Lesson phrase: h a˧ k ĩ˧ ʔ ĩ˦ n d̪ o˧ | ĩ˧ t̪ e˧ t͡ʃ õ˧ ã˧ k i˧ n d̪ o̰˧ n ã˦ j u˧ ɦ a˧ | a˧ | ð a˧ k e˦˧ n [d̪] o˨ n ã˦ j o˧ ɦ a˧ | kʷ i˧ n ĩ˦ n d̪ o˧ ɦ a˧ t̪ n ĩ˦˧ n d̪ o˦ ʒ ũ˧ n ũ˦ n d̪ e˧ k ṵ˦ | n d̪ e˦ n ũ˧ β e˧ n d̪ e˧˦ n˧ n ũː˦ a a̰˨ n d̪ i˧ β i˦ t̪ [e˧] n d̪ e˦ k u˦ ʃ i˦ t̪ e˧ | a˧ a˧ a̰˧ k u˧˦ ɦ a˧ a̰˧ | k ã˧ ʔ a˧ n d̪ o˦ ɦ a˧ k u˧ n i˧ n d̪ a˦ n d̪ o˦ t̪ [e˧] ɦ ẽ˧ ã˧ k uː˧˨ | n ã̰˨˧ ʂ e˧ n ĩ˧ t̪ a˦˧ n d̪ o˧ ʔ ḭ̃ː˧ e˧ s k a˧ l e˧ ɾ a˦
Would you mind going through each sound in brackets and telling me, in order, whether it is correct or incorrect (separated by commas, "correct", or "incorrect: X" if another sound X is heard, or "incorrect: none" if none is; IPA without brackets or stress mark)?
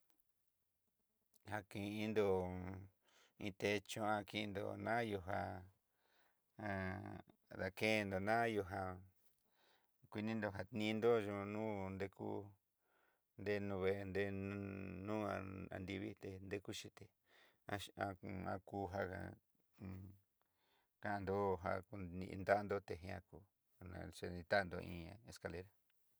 correct, correct, correct